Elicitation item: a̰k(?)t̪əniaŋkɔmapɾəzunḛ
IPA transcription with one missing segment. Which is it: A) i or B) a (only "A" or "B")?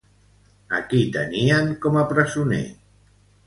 A